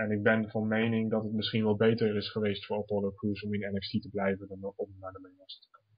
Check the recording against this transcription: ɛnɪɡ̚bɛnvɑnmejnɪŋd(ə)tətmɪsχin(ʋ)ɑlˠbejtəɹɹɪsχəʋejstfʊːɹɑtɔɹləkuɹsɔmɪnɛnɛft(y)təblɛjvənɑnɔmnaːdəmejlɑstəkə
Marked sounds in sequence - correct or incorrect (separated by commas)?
incorrect, correct, incorrect